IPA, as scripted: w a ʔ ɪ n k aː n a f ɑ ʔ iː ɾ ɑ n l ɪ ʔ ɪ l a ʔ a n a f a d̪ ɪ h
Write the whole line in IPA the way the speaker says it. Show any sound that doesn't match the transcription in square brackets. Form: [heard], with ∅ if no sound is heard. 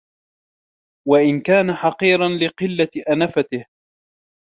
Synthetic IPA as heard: w a ʔ ɪ n k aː n a [ħ] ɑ [q] iː ɾ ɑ n l ɪ [q] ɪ [lː] a ʔ a n a f a [t̪] ɪ h